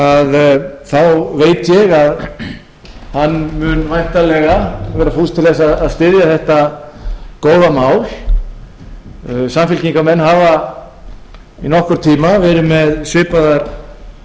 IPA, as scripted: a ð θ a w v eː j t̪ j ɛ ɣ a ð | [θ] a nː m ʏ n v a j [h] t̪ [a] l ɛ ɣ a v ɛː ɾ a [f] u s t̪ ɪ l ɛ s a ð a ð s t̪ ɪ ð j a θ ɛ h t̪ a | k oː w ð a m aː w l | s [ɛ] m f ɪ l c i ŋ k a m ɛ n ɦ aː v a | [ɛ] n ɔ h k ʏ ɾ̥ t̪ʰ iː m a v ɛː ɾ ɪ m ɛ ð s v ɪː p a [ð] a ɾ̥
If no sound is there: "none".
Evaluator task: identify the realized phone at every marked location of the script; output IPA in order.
h, h, a, f, a, i, ð

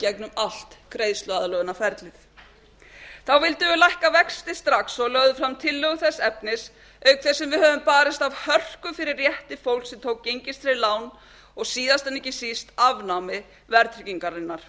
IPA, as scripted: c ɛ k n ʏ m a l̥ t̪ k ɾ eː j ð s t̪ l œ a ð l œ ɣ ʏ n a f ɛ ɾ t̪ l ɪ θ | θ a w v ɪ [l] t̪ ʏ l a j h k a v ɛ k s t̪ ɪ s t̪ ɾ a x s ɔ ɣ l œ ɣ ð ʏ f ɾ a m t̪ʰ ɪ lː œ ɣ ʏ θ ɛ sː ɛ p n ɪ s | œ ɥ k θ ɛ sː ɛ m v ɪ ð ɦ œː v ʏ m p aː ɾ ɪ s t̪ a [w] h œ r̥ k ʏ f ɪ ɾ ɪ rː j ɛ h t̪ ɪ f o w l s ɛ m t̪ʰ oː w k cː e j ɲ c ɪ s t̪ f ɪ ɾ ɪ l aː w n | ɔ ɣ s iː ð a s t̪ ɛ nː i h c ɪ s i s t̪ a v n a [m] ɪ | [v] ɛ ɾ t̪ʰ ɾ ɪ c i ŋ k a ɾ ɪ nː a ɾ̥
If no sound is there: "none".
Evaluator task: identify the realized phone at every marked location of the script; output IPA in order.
l, v, m, v

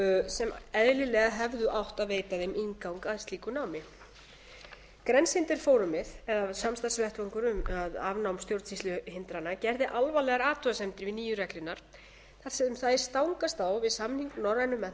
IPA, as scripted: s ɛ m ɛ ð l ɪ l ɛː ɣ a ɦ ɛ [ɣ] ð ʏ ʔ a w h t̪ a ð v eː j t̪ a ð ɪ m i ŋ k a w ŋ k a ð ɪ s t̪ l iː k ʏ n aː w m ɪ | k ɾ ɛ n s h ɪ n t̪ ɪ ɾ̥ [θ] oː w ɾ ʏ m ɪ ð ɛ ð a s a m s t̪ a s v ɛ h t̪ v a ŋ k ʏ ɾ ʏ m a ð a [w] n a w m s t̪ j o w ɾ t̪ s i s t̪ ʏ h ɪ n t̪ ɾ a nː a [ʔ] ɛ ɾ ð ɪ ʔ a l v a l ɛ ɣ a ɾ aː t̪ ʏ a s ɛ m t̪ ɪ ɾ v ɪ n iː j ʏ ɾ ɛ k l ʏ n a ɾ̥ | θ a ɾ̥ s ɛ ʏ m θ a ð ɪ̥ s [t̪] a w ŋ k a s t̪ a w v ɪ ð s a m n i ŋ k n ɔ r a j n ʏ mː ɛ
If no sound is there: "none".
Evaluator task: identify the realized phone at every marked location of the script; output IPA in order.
v, f, v, c, t̪

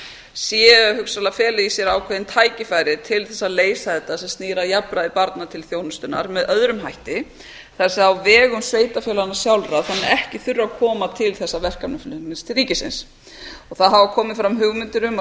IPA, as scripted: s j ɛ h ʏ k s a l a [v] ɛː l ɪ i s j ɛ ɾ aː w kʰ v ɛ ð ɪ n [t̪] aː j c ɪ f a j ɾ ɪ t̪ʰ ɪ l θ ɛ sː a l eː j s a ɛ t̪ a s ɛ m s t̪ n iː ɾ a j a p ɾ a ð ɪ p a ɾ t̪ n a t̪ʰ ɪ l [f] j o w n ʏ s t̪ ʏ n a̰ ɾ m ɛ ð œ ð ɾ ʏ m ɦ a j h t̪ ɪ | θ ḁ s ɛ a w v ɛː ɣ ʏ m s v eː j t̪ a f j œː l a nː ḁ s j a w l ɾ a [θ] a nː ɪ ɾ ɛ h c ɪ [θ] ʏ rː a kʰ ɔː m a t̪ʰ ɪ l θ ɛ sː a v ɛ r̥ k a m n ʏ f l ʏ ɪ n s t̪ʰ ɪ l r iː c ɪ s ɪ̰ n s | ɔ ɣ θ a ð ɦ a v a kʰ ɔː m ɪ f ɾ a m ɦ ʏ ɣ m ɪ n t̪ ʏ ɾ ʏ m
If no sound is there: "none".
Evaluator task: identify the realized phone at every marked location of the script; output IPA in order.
f, t̪ʰ, θ, θ, θ

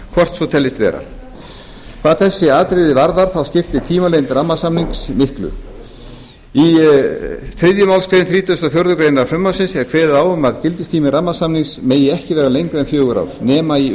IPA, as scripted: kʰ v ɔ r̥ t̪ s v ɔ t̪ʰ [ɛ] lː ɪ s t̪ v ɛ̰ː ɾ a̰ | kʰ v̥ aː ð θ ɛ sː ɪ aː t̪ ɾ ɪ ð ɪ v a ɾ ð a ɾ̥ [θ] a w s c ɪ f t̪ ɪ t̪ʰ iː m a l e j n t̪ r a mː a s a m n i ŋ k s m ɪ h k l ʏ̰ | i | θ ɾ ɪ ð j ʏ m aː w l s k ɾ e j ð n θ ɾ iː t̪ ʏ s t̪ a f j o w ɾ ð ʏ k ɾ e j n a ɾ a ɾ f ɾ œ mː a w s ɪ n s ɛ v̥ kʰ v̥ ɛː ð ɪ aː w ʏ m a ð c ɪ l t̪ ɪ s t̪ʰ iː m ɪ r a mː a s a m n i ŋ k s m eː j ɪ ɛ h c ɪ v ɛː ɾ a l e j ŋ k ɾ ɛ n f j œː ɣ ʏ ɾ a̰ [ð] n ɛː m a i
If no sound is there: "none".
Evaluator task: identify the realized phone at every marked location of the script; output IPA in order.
ɛ, θ, v

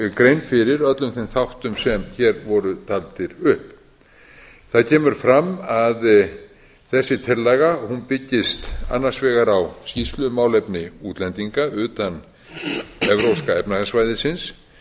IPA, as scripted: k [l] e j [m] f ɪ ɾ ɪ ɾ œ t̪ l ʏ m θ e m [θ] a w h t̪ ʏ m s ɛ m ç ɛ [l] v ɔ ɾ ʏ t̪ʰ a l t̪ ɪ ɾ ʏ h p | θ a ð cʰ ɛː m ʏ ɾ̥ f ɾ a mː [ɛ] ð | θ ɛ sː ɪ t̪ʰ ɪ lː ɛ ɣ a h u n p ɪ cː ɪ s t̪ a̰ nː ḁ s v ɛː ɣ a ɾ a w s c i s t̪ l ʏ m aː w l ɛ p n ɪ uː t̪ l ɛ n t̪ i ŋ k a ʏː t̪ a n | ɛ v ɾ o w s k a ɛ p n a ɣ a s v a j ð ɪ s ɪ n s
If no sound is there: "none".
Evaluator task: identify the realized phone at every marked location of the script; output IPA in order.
ɾ, n, θ, ɾ, a

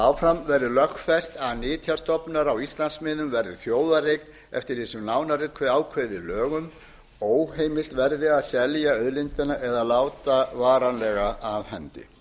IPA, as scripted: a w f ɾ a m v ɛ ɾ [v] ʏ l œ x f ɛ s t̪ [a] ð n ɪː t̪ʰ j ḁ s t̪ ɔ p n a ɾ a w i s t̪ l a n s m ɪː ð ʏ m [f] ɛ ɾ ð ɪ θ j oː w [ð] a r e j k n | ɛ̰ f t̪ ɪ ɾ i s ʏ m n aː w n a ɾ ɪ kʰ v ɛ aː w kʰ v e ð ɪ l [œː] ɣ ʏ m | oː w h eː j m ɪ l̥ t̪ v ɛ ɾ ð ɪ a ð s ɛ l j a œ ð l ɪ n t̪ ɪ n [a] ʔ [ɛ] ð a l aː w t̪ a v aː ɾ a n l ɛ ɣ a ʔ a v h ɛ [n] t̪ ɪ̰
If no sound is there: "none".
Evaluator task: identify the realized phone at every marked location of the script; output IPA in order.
ð, a, v, ð, œː, a, ɛ, n

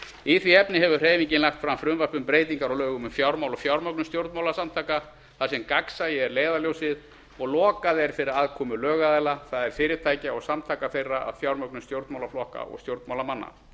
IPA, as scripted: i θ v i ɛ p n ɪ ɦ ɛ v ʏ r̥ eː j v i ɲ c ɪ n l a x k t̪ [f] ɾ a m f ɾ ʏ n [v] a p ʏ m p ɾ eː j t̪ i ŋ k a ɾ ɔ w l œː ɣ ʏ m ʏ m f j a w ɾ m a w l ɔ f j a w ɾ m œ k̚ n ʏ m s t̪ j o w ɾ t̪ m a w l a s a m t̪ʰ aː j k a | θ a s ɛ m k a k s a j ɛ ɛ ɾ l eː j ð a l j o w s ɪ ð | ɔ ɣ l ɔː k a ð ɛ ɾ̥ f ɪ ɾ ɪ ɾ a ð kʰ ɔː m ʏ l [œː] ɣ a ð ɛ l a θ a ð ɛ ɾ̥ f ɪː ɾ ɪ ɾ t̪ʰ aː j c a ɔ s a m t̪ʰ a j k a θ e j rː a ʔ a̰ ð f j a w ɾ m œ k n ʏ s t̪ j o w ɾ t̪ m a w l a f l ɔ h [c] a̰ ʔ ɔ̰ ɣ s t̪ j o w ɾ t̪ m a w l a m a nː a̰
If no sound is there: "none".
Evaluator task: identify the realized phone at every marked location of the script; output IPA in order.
f, v, œː, k

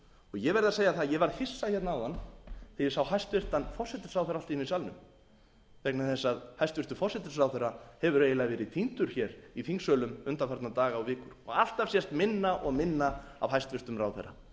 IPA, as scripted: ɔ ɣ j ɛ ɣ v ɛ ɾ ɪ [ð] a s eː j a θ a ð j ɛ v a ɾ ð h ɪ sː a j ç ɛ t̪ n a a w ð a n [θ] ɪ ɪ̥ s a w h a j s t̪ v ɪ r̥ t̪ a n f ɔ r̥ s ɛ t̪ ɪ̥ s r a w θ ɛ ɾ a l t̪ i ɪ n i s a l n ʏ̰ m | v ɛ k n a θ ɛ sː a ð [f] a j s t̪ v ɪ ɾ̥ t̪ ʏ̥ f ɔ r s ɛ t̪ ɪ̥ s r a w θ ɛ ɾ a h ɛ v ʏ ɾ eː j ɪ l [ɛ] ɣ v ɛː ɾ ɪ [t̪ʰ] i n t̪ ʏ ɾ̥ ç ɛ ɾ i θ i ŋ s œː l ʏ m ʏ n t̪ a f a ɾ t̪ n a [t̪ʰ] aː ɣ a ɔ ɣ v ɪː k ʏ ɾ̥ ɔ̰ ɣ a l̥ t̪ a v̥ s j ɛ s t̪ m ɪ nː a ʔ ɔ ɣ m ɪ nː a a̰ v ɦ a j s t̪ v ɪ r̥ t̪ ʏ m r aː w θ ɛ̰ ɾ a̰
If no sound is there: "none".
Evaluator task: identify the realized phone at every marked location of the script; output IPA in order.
ð, θ, h, a, t̪ʰ, t̪

